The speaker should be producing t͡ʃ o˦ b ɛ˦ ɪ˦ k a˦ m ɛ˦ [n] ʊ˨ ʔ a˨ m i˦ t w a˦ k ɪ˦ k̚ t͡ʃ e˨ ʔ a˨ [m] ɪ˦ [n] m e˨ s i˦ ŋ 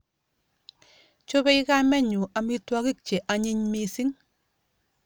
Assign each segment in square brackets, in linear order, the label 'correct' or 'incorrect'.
incorrect, incorrect, incorrect

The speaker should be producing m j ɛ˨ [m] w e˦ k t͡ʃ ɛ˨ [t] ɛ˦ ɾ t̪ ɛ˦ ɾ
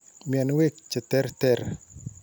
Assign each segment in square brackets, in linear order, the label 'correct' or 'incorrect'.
incorrect, correct

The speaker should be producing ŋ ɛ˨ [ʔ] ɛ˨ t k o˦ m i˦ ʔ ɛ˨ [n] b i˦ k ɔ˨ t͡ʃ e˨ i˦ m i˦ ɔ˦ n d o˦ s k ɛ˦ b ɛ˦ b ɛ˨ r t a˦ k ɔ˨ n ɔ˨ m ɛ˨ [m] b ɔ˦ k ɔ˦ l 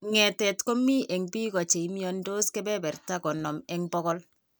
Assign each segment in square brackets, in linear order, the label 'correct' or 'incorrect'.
incorrect, incorrect, incorrect

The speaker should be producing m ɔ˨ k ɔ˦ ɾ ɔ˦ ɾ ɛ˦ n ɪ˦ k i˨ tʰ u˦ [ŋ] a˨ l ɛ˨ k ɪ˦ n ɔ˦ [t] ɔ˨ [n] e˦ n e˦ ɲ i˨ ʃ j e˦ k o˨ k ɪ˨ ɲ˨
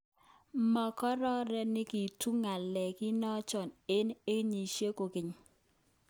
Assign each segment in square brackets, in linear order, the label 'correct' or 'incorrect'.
correct, incorrect, correct

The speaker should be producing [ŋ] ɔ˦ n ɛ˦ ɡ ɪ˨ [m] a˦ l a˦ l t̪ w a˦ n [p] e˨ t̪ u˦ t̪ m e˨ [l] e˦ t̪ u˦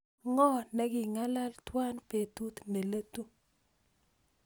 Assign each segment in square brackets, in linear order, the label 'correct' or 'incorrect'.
correct, incorrect, correct, correct

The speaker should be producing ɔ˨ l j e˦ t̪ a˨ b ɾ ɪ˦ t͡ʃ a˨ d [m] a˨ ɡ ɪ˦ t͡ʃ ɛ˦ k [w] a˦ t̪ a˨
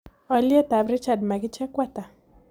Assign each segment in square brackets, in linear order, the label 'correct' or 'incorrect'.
correct, correct

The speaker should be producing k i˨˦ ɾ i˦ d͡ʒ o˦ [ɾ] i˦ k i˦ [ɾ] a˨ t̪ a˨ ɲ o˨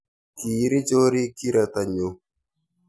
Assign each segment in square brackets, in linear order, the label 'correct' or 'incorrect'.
correct, correct

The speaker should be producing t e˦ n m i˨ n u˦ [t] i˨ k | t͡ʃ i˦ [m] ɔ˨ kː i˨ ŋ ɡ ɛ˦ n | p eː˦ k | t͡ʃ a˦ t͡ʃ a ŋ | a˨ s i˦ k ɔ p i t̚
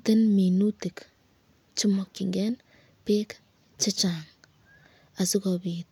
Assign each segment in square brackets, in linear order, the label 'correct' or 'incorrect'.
correct, correct

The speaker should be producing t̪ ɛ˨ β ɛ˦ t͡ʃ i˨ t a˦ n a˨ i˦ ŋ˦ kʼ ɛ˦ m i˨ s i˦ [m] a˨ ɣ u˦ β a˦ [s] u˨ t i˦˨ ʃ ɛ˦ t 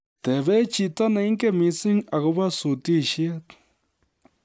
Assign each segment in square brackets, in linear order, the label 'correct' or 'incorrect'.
incorrect, correct

